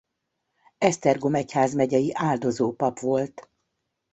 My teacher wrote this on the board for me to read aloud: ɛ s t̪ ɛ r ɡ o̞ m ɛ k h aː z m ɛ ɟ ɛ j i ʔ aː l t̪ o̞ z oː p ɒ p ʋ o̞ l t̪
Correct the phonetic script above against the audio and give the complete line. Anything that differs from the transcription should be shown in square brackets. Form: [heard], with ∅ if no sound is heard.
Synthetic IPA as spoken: ɛ s t̪ ɛ r ɡ o̞ m ɛ [c] h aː z m ɛ ɟ ɛ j i ʔ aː l [d̪] o̞ z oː p ɒ p ʋ o̞ l t̪